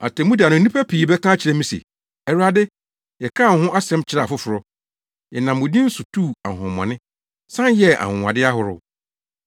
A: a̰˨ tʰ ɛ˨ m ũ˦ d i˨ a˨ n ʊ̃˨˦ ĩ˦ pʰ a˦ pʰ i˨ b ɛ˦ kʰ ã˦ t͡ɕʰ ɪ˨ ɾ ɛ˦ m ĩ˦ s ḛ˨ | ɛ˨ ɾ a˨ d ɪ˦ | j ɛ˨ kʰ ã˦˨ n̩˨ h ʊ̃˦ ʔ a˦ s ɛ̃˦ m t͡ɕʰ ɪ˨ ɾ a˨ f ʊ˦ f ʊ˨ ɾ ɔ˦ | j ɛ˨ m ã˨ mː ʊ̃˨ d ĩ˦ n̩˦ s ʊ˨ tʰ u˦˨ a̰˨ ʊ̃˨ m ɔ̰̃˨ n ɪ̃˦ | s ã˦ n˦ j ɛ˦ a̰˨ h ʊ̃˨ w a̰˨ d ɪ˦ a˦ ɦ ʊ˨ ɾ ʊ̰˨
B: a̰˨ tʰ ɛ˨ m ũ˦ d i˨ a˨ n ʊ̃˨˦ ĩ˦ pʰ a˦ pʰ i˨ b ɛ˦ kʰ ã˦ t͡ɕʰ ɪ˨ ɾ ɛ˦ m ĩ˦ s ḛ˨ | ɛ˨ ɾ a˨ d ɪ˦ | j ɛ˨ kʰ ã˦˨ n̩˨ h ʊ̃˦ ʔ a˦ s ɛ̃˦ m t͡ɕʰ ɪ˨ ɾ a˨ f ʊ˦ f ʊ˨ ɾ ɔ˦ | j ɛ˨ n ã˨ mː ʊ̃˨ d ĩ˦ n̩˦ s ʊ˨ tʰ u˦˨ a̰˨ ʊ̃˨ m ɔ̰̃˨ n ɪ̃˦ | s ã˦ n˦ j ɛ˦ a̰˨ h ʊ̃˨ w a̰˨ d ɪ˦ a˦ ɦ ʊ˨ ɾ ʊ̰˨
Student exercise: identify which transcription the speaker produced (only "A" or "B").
B